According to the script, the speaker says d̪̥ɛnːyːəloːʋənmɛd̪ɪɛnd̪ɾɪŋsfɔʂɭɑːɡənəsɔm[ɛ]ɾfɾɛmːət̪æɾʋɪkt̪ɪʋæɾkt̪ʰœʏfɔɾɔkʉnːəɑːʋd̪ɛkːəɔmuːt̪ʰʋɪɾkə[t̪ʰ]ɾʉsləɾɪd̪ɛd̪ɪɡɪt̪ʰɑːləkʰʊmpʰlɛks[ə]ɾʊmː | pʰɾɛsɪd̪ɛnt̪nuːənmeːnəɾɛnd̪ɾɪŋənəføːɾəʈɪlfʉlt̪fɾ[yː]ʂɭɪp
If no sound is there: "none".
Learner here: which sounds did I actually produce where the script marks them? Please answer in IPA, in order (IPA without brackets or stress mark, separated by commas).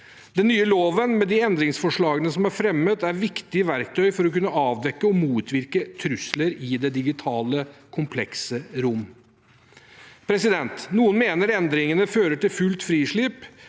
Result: æ, t̪ʰ, ə, iː